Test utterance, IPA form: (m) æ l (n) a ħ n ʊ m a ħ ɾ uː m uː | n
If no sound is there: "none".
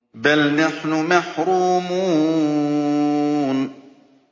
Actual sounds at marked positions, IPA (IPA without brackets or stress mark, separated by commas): b, n